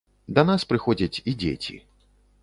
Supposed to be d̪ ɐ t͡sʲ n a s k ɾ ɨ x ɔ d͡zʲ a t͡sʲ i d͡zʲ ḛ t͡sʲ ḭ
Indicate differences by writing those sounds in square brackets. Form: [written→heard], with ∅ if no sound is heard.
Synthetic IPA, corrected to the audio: d̪ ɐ [t͡sʲ→∅] n a s [k→p] ɾ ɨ x ɔ d͡zʲ [a→ɐ] t͡sʲ i d͡zʲ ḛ t͡sʲ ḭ